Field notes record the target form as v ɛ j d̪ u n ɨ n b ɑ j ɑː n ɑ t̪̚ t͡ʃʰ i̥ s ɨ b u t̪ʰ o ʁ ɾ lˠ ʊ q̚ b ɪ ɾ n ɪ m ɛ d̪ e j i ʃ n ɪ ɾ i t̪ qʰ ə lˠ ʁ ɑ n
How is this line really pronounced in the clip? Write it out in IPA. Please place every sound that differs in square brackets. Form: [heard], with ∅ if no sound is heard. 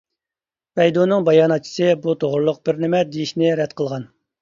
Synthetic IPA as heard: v ɛ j d̪ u n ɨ [ŋ] b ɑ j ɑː n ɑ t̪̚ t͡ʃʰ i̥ s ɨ b u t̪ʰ o ʁ ɾ lˠ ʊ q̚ b ɪ ɾ n ɪ m ɛ d̪ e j i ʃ n ɪ ɾ [ɛ] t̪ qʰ ə lˠ ʁ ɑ n